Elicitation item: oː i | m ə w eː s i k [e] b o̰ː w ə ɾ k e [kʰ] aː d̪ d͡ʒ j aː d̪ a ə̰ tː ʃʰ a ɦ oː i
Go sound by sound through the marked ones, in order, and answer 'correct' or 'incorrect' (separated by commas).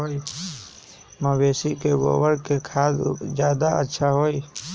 correct, correct